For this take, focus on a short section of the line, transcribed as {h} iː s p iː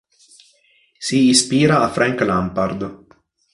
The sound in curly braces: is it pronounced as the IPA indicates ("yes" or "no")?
no